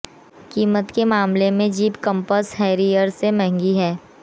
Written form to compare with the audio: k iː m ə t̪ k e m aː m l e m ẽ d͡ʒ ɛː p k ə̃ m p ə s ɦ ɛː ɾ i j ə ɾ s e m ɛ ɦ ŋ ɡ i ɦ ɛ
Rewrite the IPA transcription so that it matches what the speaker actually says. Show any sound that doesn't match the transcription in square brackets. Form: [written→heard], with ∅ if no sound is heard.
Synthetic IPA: k iː m ə t̪ k e m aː m l e m ẽ d͡ʒ [ɛː→iː] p k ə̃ m p ə s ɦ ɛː ɾ i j ə ɾ s e m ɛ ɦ ŋ ɡ i ɦ [ɛ→ɛː]

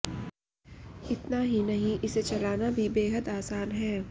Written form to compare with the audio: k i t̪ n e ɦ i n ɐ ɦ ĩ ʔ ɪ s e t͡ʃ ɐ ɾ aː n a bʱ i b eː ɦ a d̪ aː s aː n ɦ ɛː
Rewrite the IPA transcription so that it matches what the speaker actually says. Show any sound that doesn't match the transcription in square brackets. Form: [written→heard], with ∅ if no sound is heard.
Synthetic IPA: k [i→ɪ] t̪ n [e→a] ɦ i n ɐ ɦ ĩ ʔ ɪ s e t͡ʃ ɐ [ɾ→l] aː n a bʱ i b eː ɦ [a→ə] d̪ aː s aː n ɦ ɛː

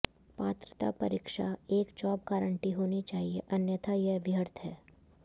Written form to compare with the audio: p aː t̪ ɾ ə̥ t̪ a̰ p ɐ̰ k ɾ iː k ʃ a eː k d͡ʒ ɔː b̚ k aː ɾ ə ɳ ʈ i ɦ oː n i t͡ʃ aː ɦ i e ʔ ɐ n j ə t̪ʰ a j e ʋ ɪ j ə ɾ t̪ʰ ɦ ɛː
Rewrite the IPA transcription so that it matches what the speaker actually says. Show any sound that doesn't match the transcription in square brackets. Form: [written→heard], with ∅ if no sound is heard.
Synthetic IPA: p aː t̪ ɾ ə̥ t̪ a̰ p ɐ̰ [k→∅] ɾ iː k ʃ a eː k d͡ʒ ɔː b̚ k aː ɾ ə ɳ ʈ i ɦ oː n i t͡ʃ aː ɦ i e ʔ ɐ n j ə t̪ʰ a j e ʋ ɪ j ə ɾ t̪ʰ ɦ ɛː

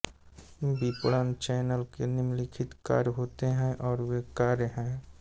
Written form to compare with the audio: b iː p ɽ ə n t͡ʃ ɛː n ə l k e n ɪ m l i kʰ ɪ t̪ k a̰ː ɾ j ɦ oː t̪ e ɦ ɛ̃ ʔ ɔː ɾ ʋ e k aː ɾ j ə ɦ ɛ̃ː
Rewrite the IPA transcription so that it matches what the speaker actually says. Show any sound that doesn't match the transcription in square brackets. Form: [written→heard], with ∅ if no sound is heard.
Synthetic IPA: b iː p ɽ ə n t͡ʃ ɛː n ə l k e n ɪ m l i kʰ ɪ t̪ k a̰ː ɾ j ɦ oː t̪ e ɦ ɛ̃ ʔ ɔː ɾ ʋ e k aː ɾ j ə ɦ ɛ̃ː

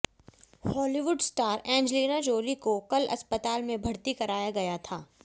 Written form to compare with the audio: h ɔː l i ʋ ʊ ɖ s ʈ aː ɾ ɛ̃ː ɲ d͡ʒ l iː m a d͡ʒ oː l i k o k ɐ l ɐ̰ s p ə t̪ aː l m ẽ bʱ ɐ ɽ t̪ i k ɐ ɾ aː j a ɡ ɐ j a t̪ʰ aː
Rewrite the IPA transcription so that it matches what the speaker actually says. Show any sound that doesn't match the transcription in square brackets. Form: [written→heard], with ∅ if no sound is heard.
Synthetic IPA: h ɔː l i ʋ ʊ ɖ s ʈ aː ɾ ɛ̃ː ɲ d͡ʒ l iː [m→n] a d͡ʒ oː l i k o k ɐ l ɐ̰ s p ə t̪ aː l m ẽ bʱ ɐ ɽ t̪ i k ɐ ɾ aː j a ɡ ɐ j a t̪ʰ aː

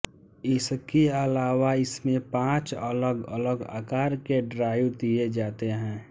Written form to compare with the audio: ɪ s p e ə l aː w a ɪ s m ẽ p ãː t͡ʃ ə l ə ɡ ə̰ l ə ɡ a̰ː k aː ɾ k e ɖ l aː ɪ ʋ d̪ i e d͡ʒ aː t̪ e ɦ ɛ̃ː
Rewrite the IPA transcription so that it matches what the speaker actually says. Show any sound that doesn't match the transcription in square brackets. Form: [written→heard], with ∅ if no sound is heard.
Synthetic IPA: ɪ s [p→k] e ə l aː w a ɪ s m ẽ p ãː t͡ʃ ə l ə ɡ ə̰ l ə ɡ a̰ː k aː ɾ k e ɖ [l→ɾ] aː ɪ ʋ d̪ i e d͡ʒ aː t̪ e ɦ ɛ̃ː

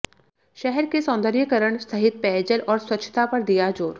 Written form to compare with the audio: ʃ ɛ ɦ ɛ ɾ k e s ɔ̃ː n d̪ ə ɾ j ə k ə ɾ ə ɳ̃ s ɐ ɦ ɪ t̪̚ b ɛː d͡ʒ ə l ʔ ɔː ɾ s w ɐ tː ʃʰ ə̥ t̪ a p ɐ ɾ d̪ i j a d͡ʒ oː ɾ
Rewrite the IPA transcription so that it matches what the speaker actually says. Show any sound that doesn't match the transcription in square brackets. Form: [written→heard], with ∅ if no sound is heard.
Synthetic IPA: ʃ ɛ ɦ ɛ ɾ k e s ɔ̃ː n d̪ ə ɾ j ə k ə ɾ ə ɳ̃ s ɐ ɦ ɪ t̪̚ [b→p] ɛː d͡ʒ ə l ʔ ɔː ɾ s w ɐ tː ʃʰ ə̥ t̪ a p ɐ ɾ d̪ i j a d͡ʒ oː ɾ

